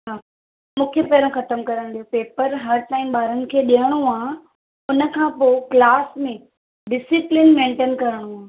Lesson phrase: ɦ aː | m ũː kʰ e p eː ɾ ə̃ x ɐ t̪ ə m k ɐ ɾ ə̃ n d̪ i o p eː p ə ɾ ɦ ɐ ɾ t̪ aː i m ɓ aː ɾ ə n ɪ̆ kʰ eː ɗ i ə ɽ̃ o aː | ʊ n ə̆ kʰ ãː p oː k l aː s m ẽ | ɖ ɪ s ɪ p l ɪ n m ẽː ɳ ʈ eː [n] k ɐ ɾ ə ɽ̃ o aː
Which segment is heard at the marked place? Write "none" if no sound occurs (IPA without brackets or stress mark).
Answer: n